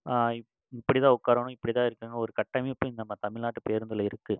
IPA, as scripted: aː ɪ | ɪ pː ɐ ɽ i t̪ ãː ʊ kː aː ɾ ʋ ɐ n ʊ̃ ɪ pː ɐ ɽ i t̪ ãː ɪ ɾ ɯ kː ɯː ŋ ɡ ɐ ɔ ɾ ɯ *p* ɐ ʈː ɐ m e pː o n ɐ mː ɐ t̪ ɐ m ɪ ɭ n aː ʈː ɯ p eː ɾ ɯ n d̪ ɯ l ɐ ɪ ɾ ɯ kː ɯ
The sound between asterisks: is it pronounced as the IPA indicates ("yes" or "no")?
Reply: no